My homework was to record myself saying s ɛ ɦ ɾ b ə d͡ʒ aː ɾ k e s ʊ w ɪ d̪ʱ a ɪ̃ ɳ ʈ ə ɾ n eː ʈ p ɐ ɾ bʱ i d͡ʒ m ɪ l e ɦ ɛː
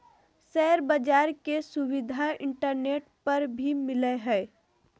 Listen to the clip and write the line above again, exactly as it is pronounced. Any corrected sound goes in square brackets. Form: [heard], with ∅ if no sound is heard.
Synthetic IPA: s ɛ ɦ ɾ b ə d͡ʒ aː ɾ k e s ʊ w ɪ d̪ʱ a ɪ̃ ɳ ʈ ə ɾ n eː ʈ p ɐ ɾ bʱ i [∅] m ɪ l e ɦ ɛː